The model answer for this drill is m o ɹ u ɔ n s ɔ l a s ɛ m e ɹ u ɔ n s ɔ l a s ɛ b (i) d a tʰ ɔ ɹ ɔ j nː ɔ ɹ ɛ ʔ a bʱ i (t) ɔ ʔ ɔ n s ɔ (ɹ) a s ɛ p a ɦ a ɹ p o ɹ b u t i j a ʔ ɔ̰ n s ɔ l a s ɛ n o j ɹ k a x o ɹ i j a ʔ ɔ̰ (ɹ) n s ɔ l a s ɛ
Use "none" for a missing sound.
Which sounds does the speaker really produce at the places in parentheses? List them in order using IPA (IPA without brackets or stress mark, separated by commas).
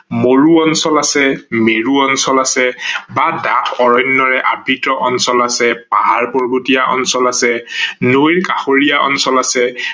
a, t, l, none